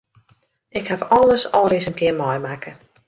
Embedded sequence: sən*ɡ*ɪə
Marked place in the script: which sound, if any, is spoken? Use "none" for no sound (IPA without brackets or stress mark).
k